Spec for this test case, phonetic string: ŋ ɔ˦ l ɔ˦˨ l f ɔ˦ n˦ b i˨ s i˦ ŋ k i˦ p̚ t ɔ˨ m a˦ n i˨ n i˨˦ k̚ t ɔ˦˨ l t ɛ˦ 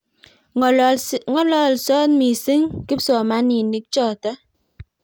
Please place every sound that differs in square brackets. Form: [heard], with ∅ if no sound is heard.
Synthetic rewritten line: ŋ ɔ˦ l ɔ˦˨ l [s] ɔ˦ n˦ [m] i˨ s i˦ ŋ k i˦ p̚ [s] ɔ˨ m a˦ n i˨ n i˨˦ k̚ [t͡ʃ] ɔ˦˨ [∅] t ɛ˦